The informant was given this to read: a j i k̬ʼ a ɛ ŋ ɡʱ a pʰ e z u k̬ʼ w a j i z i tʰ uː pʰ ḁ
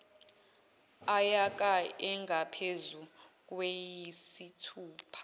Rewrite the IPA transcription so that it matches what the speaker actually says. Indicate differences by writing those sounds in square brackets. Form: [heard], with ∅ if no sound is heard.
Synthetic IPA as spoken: a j [a] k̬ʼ a ɛ ŋ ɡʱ a pʰ e z u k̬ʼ w [e] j i [s] i tʰ uː pʰ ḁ

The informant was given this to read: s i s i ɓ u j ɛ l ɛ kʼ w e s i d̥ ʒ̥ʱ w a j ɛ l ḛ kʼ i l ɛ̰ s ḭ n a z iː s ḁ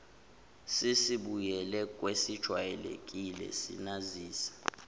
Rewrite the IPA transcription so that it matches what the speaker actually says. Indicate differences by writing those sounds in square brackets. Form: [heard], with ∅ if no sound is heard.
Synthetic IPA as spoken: s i s i ɓ u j ɛ l ɛ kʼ w e s i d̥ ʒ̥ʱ w a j ɛ l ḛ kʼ i l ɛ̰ s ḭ n a z iː s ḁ

